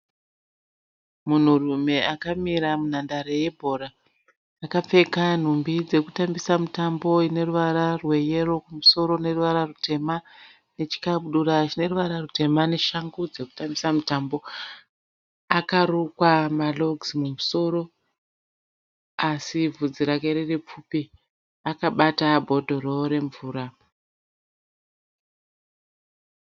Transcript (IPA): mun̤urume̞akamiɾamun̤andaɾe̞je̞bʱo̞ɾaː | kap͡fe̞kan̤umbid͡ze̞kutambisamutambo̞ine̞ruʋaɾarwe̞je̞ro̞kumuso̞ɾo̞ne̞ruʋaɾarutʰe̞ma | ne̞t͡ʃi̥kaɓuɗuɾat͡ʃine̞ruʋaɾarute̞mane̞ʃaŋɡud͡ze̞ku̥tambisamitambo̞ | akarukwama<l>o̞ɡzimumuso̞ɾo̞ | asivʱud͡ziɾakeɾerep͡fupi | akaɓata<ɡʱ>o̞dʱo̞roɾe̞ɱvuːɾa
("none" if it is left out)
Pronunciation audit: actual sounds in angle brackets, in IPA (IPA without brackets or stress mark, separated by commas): l, bʱ